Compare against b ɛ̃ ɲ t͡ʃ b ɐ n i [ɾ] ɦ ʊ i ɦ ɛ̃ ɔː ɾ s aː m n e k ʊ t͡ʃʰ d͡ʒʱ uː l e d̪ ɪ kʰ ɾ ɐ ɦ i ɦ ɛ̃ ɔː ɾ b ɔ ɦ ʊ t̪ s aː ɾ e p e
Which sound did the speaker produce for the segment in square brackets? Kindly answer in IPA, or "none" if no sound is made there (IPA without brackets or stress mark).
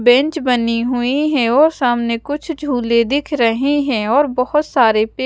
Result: none